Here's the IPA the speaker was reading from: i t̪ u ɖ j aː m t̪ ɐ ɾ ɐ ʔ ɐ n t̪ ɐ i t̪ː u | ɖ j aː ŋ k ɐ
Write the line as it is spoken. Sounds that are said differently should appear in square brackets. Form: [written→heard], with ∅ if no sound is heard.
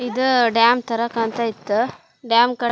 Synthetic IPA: i [t̪→d̪] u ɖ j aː m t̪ ɐ ɾ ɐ [ʔ→k] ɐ n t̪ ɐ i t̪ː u | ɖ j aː [ŋ→m] k ɐ